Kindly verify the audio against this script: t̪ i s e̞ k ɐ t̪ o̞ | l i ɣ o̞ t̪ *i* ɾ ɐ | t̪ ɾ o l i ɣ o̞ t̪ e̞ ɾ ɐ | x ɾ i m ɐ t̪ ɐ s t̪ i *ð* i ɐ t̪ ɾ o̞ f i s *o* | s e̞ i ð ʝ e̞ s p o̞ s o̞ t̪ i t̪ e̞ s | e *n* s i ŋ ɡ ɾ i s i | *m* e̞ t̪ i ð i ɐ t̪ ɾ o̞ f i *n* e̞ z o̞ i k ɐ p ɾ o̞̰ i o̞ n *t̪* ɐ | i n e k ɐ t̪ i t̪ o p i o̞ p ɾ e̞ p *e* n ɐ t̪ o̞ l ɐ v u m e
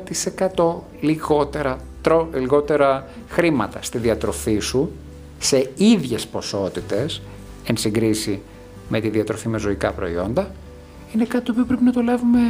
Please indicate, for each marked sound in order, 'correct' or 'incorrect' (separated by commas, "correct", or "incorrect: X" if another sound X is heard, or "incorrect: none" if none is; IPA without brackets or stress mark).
incorrect: e, correct, incorrect: u, correct, correct, incorrect: m, incorrect: d̪, incorrect: i